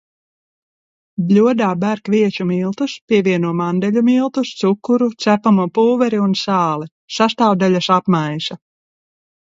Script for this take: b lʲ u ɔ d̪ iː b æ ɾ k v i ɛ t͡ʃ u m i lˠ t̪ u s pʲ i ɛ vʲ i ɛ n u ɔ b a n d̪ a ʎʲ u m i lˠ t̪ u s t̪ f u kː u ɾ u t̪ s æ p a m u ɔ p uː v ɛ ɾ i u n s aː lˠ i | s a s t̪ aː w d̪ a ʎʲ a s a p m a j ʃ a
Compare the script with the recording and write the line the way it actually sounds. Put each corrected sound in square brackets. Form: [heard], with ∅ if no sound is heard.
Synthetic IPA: b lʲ u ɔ d̪ [aː] b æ ɾ k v i ɛ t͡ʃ u m i lˠ t̪ u s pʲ i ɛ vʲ i ɛ n u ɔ [m] a n d̪ [ɛ] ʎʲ u m i lˠ t̪ u s t̪ [s] u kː u ɾ u t̪ s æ p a m u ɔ p uː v ɛ ɾ i u n s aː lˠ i | s a s t̪ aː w d̪ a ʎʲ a s a p m a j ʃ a